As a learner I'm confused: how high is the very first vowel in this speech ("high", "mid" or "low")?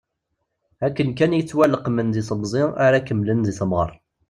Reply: low